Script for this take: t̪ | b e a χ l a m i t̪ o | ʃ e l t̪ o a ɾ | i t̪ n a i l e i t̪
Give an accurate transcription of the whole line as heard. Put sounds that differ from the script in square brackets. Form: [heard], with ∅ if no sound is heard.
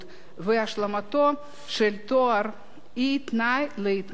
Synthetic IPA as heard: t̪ | [v] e a [ʃ] l a m [a] t̪ o | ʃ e l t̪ o a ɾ | i t̪ n a [j] l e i t̪